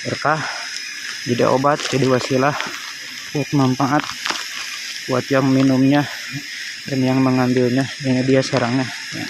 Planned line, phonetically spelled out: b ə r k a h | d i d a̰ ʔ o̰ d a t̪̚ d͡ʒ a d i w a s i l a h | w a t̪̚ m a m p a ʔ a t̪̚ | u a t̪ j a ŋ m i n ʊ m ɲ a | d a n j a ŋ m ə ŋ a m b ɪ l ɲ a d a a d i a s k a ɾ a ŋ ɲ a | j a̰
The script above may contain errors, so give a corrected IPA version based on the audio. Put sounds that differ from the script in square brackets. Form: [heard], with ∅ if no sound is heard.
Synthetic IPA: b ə r k a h | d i d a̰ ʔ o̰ [b] a t̪̚ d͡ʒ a d i w a s i l a h | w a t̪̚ m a m p a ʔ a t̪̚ | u a t̪ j a ŋ m i n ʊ m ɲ a | d a n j a ŋ m ə ŋ a m b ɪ l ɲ a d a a d i a s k a ɾ a ŋ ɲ a | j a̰